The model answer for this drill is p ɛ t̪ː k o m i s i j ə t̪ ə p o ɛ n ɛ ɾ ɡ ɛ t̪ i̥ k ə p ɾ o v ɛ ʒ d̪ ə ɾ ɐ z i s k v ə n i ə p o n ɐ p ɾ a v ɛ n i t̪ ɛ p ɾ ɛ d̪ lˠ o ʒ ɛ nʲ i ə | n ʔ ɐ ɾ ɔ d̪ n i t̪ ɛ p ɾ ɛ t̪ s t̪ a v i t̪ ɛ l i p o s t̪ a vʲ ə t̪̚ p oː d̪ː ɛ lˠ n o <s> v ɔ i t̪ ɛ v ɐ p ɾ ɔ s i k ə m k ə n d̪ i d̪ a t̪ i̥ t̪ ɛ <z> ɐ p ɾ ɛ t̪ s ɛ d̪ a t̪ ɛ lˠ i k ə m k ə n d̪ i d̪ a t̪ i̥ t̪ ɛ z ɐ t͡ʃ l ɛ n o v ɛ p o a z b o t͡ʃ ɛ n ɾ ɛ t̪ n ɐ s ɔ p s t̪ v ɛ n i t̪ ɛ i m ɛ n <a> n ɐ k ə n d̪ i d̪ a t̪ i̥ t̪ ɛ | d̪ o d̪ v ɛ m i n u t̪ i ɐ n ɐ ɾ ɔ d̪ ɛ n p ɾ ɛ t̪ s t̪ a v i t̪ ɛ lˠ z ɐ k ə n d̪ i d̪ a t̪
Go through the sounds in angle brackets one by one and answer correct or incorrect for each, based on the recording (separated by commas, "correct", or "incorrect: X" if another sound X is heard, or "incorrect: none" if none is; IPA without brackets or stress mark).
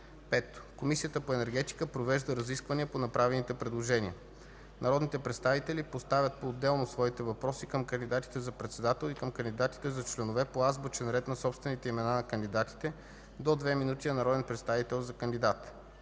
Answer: correct, correct, correct